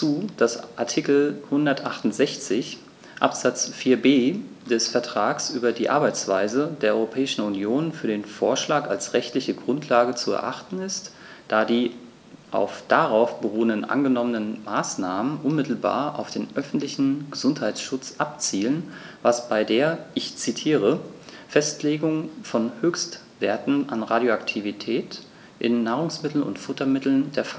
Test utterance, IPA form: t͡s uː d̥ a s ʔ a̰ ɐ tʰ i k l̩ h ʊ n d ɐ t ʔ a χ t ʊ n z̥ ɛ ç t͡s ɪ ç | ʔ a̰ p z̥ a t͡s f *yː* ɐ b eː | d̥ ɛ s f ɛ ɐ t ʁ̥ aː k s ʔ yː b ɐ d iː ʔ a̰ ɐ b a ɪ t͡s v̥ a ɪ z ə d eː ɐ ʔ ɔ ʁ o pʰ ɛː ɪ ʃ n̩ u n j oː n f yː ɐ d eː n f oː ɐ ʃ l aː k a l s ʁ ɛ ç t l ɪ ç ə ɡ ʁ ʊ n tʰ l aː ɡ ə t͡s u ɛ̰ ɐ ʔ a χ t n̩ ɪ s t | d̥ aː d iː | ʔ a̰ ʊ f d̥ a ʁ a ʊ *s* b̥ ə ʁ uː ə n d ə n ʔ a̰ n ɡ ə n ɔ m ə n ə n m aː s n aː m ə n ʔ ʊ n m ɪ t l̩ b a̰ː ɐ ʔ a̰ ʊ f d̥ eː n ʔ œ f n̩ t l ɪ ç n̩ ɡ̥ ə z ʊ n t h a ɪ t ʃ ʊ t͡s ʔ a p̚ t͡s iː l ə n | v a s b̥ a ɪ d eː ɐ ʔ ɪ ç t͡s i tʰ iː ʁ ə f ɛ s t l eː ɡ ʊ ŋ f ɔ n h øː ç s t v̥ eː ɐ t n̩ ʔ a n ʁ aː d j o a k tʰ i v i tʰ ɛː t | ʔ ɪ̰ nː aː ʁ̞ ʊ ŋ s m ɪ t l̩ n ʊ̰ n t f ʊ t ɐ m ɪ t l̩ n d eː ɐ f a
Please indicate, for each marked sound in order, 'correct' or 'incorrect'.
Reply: incorrect: iː, incorrect: f

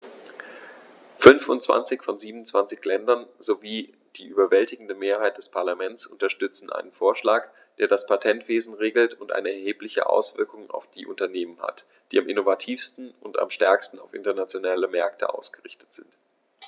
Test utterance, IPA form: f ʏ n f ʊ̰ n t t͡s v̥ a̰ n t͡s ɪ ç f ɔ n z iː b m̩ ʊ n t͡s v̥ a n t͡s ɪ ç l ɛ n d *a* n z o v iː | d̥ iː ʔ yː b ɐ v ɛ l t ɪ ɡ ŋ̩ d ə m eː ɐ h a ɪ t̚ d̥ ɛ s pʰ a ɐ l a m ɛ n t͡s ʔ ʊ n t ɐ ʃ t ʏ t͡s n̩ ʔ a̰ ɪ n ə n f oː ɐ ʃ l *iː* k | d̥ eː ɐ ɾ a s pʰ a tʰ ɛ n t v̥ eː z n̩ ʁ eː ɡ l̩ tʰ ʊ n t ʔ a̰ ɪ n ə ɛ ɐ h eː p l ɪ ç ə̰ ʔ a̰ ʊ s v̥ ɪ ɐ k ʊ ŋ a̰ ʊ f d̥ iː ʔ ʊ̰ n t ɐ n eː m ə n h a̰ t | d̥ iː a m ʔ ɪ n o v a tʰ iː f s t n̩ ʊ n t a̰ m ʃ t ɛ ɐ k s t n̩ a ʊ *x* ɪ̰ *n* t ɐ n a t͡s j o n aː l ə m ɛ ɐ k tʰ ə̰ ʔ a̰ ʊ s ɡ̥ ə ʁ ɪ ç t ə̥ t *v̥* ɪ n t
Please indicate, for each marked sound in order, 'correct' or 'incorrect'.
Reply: incorrect: ɐ, incorrect: aː, incorrect: f, correct, incorrect: z̥

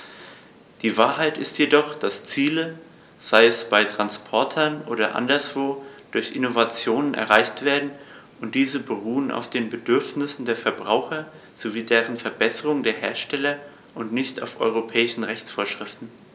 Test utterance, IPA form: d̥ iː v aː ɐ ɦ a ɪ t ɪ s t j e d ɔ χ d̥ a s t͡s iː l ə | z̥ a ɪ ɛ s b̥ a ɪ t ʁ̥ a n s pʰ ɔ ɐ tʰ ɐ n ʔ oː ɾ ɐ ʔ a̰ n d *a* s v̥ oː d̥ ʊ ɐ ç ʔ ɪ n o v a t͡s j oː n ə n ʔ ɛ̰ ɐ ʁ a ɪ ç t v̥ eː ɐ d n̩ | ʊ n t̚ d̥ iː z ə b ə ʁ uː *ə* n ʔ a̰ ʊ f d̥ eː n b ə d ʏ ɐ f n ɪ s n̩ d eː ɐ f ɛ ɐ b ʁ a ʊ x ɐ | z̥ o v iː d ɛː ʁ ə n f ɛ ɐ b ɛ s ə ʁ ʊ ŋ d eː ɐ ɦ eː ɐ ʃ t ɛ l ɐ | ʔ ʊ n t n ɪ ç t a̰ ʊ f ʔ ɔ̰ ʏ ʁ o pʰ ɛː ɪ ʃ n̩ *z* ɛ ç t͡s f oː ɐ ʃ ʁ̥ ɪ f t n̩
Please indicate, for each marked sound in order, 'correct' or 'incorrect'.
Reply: incorrect: ɐ, correct, incorrect: ʁ

